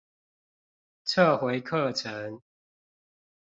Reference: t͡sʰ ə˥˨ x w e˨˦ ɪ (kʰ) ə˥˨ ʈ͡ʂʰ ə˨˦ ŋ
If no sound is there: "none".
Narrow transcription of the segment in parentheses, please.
kʰ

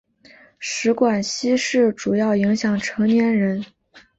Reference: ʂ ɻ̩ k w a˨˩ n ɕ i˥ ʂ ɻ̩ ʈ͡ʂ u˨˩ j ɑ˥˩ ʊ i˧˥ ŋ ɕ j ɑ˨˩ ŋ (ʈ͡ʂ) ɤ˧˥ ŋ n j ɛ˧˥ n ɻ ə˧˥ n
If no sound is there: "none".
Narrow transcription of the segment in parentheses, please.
ʈ͡ʂʰ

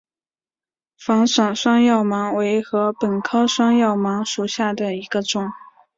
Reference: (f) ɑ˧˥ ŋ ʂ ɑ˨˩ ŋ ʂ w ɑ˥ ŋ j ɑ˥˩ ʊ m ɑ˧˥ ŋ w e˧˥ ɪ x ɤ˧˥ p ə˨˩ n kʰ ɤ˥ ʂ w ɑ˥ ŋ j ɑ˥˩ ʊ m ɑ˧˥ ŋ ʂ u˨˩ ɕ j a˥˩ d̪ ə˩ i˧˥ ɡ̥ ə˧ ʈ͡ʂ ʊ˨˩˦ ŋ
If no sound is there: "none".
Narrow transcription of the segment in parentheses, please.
f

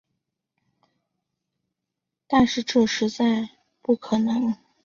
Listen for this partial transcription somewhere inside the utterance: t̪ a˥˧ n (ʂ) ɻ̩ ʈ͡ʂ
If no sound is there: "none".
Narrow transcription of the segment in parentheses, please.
ʂ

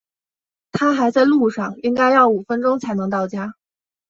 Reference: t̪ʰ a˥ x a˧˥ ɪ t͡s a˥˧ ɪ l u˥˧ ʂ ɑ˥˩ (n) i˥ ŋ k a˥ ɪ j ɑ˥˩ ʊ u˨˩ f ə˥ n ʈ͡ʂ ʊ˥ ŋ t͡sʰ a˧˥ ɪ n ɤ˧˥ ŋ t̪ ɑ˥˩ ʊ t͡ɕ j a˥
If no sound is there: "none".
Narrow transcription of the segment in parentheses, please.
ŋ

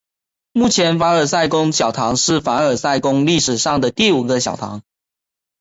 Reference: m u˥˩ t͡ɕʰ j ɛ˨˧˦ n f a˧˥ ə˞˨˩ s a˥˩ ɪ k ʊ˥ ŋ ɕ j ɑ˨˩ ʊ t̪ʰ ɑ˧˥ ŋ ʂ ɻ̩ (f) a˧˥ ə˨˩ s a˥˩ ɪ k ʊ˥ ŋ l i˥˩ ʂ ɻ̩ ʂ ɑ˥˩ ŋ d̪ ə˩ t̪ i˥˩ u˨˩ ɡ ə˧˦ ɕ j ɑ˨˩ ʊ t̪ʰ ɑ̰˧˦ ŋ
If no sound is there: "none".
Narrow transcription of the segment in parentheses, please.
f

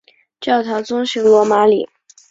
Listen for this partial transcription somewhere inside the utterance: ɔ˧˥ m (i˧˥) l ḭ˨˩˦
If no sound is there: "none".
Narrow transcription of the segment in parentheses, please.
a˧˥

